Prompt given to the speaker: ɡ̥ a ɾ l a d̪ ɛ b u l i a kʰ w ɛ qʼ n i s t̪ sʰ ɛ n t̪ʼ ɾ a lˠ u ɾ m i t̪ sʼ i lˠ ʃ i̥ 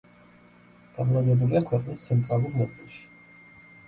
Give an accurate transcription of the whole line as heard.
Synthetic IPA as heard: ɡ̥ a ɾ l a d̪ ɛ b u l i a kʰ w ɛ qʼ n i s t̪ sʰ ɛ n t̪ʼ ɾ a lˠ u ɾ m ɛ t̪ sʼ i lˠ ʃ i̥